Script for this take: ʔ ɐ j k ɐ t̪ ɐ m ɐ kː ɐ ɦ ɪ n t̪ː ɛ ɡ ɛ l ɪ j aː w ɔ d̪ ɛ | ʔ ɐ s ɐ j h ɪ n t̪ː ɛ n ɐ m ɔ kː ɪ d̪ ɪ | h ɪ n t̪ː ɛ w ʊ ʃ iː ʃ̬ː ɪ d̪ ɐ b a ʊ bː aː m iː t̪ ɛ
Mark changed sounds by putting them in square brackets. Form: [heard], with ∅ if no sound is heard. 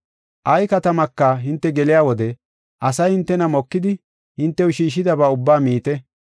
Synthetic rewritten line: ʔ ɐ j k ɐ t̪ ɐ m ɐ kː ɐ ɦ ɪ n t̪ː ɛ ɡ ɛ l ɪ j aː w ɔ d̪ ɛ | ʔ ɐ s ɐ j h ɪ n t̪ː ɛ n ɐ m ɔ kː ɪ d̪ ɪ | h ɪ n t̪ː ɛ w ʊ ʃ iː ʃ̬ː ɪ d̪ ɐ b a ʊ bː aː m iː t̪ ɛ